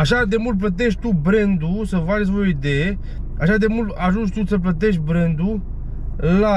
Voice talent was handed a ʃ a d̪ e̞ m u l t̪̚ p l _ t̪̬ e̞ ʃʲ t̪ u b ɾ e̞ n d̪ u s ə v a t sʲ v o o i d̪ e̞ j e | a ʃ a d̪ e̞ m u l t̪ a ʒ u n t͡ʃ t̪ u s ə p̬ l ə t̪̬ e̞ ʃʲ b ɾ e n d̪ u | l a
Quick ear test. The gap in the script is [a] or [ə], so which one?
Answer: ə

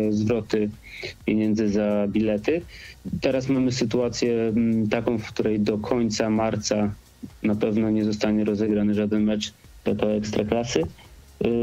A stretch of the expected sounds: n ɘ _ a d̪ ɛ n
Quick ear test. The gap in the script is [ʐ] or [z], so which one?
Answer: ʐ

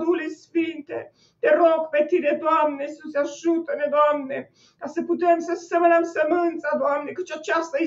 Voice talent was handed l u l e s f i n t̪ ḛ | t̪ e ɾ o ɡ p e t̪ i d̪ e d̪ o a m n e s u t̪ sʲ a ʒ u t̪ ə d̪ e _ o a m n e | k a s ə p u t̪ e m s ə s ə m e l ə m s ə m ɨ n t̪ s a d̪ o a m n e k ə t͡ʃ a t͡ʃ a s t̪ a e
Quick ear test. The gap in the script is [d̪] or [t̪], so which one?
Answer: d̪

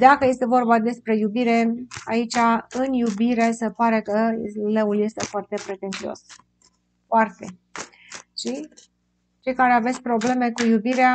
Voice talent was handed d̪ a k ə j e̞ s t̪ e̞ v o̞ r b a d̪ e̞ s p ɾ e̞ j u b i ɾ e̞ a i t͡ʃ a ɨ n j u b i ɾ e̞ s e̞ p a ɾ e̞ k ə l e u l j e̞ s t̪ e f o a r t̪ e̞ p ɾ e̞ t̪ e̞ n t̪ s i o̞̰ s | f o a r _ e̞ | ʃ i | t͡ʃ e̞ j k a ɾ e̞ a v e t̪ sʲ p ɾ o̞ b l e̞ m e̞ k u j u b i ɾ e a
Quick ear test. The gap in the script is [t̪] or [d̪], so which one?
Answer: t̪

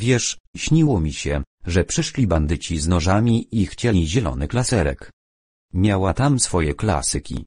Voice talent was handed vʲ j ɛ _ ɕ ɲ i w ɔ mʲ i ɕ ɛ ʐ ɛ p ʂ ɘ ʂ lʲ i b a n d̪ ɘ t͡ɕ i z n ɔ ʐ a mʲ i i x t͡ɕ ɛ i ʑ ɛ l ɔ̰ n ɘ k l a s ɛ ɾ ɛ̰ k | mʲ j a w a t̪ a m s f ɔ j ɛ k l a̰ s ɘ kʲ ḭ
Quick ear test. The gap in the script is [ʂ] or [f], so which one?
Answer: ʂ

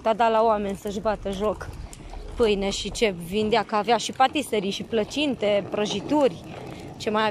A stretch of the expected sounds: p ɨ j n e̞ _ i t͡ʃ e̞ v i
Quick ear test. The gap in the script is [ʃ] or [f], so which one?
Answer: ʃ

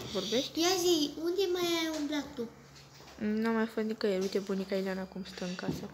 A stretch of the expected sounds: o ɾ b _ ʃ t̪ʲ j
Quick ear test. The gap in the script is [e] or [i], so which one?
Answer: e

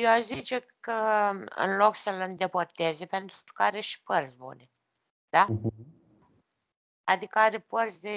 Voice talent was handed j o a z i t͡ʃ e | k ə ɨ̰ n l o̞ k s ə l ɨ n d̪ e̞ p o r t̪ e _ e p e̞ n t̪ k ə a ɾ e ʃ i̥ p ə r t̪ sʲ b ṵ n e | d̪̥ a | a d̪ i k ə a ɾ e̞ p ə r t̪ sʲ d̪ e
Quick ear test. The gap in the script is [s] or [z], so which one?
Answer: z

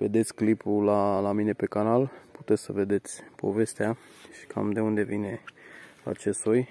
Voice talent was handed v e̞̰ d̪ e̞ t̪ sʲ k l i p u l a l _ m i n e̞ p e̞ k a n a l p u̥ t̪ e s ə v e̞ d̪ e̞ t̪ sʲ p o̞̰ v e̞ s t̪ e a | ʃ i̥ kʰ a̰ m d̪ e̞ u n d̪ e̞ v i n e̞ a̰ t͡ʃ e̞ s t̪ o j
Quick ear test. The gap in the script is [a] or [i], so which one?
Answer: a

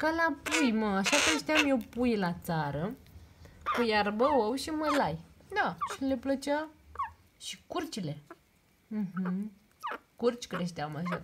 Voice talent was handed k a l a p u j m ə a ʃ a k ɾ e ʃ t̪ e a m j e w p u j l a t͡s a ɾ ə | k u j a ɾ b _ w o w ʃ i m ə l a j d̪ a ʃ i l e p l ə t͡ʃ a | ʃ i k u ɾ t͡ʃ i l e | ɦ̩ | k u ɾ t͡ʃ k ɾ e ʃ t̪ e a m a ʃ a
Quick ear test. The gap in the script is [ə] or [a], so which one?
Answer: ə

